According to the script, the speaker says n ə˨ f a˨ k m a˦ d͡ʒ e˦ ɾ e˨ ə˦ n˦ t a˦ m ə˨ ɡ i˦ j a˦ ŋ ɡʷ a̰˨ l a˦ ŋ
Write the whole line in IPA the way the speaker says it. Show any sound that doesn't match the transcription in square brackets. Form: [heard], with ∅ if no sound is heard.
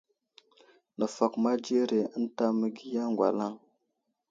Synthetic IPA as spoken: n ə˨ f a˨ k m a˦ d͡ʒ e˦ ɾ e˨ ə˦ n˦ t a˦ m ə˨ ɡ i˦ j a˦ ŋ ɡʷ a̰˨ l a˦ ŋ